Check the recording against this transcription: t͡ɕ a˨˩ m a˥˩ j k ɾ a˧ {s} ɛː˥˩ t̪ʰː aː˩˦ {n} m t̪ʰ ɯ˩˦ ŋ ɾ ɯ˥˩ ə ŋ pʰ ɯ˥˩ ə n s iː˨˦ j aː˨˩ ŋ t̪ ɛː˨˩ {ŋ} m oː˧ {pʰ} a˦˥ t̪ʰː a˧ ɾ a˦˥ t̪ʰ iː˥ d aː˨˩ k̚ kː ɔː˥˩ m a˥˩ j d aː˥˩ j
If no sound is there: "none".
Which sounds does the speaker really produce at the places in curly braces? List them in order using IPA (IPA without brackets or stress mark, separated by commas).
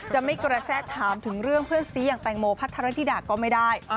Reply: s, none, ŋ, pʰ